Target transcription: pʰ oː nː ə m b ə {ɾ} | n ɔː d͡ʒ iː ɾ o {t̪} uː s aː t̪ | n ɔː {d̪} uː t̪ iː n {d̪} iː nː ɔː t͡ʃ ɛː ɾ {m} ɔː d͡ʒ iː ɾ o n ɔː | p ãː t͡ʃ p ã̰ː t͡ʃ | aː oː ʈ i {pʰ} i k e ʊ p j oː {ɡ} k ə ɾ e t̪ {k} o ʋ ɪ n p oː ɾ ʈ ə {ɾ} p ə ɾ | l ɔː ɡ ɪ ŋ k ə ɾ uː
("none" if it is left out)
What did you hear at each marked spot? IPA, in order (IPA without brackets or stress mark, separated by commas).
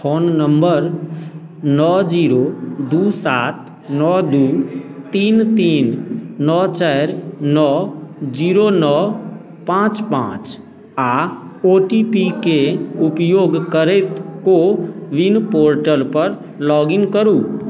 ɾ, d̪, d̪, t̪, n, p, ɡ, k, l